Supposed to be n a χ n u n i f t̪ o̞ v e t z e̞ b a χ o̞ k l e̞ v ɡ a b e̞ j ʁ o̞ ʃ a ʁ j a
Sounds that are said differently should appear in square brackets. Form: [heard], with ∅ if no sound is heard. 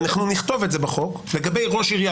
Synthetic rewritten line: n a χ n u n i [χ] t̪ o̞ v e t z e̞ b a χ o̞ k l e̞ [∅] ɡ a b e̞ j ʁ o̞ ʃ [i] ʁ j a